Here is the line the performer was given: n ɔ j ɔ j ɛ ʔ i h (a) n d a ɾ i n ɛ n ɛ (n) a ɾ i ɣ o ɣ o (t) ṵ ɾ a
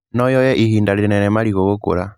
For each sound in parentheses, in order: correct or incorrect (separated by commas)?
incorrect, incorrect, incorrect